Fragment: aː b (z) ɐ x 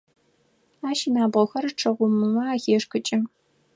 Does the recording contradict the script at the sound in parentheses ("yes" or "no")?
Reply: yes